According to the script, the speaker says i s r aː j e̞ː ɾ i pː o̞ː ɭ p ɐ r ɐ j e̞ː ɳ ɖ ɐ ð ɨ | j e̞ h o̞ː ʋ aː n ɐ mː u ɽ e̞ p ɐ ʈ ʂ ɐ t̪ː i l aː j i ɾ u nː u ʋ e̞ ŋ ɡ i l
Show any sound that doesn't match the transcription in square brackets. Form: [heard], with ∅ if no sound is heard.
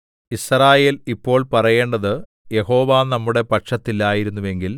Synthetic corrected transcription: i s r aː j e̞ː [l] i pː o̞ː ɭ p ɐ r ɐ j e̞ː ɳ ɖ ɐ ð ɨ | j e̞ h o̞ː ʋ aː n ɐ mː u ɽ e̞ p ɐ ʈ ʂ ɐ t̪ː i l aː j i ɾ u nː u ʋ e̞ ŋ ɡ i l